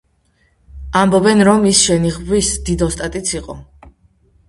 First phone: a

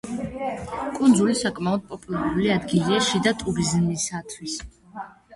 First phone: kʼ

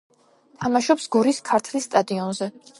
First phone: t̪ʰ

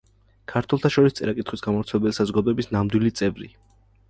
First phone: kʰ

